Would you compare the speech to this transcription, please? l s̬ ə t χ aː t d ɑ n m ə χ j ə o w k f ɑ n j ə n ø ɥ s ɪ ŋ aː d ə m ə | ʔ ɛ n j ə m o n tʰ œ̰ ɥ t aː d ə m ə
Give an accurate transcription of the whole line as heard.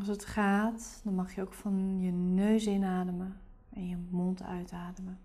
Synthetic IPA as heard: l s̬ ə t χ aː t d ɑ n m ɑ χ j ə o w k f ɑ n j ə n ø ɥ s ɪ n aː d ə m ə | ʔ ɛ n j ə m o n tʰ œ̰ ɥ t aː d ə m ə